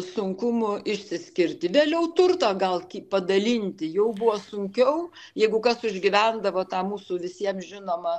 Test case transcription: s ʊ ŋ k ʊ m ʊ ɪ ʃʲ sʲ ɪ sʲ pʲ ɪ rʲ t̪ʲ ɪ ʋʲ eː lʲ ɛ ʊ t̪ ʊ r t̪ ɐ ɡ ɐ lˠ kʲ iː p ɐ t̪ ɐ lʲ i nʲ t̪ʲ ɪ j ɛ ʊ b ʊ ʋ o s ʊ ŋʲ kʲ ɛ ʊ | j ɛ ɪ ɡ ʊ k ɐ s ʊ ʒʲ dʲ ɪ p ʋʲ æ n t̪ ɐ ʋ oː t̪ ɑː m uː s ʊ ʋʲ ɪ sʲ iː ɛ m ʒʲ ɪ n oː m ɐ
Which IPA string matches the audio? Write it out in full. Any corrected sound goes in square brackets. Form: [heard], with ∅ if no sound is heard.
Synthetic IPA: s ʊ ŋ k ʊ m ʊ ɪ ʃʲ sʲ ɪ sʲ [kʲ] ɪ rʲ t̪ʲ ɪ ʋʲ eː lʲ ɛ ʊ t̪ ʊ r t̪ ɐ ɡ ɐ lˠ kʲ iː p ɐ [d̪] ɐ lʲ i nʲ t̪ʲ ɪ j ɛ ʊ b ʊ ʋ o s ʊ ŋʲ kʲ ɛ ʊ | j ɛ ɪ ɡ ʊ k ɐ s ʊ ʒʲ [ɡʲ] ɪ [∅] ʋʲ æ n [d̪] ɐ ʋ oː t̪ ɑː m uː s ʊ ʋʲ ɪ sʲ [i] ɛ m ʒʲ ɪ n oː m ɐ